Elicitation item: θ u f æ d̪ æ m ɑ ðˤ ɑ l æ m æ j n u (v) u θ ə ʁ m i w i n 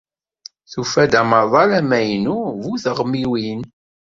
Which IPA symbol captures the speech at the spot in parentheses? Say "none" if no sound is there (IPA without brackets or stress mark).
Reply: v